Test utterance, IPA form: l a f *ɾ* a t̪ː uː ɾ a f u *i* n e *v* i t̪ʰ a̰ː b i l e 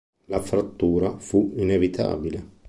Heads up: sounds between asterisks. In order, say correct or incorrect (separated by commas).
correct, correct, correct